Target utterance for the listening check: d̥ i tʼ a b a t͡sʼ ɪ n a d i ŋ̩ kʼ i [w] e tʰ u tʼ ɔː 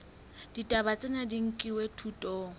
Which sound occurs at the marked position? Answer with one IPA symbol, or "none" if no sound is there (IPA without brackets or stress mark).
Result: w